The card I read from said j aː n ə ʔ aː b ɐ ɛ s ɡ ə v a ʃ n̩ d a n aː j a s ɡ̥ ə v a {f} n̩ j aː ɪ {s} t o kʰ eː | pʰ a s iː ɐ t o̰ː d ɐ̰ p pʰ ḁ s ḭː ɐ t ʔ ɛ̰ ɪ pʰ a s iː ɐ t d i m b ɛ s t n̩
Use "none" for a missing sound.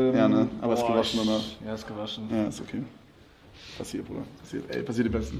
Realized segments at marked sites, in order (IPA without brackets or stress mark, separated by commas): ʃ, s